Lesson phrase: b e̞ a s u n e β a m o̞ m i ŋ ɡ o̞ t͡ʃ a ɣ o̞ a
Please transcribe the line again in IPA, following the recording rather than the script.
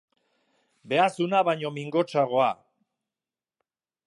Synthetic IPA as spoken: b e̞ a s u n a β a ɲ o̞ m i ŋ ɡ o̞ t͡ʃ a ɣ o̞ a